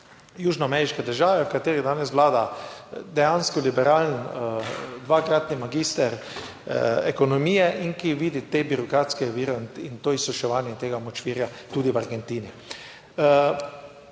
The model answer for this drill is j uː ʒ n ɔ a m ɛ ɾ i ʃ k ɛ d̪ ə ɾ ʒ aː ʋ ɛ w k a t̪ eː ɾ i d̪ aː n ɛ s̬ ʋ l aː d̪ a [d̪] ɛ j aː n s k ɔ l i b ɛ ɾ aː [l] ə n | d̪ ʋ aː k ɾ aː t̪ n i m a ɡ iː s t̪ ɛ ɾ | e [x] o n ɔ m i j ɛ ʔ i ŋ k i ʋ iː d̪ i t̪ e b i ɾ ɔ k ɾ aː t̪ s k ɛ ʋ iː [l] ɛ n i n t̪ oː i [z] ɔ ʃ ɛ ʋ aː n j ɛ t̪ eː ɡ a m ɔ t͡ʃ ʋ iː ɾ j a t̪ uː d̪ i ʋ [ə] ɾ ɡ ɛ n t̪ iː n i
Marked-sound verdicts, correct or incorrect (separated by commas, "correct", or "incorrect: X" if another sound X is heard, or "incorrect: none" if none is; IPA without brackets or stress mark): correct, correct, incorrect: k, incorrect: ɾ, incorrect: s, incorrect: a